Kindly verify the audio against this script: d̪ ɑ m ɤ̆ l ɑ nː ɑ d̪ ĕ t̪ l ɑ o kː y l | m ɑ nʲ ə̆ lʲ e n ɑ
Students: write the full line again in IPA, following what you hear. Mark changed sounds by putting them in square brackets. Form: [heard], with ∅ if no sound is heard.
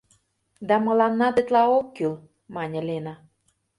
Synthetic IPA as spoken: d̪ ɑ m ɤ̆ l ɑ nː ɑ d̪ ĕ t̪ l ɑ o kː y l | m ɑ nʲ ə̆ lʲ e n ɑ